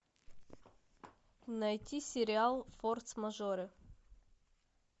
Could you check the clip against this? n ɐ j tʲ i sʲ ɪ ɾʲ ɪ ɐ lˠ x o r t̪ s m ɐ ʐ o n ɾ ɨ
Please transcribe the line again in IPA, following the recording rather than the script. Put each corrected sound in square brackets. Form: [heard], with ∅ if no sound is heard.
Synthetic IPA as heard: n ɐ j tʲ i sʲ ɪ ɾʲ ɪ [a] lˠ [f] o r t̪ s m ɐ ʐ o [∅] ɾ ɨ

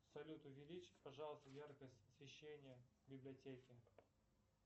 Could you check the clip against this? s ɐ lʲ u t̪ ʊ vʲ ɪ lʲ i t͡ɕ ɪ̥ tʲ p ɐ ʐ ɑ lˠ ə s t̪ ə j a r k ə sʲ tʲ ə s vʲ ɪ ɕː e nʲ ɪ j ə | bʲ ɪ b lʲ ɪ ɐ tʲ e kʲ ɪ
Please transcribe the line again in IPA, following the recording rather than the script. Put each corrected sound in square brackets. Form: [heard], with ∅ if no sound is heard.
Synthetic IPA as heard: s ɐ lʲ u t̪ ʊ vʲ ɪ lʲ i t͡ɕ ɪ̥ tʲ p ɐ ʐ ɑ lˠ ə s t̪ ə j a r k ə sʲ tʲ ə s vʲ ɪ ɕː e nʲ ɪ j ə | bʲ ɪ b lʲ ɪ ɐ tʲ e kʲ ɪ

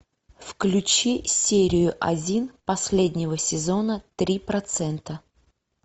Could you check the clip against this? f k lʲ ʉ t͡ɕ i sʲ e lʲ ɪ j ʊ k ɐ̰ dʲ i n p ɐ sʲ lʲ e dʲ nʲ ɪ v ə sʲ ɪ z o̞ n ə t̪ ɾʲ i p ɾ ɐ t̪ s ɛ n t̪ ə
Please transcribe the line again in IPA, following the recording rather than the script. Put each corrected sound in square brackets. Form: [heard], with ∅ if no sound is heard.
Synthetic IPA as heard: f k lʲ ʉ t͡ɕ i sʲ e [ɾʲ] ɪ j ʊ [ʔ] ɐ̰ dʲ i n p ɐ sʲ lʲ e dʲ nʲ ɪ v ə sʲ ɪ z o̞ n ə t̪ ɾʲ i p ɾ ɐ t̪ s ɛ n t̪ ə

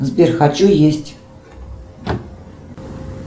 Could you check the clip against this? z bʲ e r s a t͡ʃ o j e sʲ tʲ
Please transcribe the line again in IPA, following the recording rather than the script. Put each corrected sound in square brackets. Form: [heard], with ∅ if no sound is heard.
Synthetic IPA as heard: z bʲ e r [x] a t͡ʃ [u] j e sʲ tʲ

